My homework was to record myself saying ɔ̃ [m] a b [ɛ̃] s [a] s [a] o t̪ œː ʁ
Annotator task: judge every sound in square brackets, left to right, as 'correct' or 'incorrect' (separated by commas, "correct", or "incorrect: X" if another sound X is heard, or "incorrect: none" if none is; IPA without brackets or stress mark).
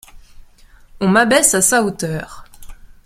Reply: correct, incorrect: ɛ, correct, correct